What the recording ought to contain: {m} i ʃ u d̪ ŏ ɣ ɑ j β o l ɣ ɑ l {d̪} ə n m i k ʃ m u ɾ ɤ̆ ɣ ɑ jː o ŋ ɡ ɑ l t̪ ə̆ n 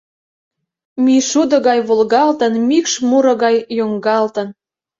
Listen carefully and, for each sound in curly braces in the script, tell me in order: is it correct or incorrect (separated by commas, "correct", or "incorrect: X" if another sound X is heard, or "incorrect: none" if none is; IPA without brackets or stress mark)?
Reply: correct, incorrect: t̪